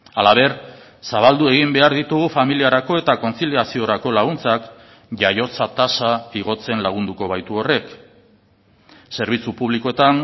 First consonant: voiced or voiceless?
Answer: voiced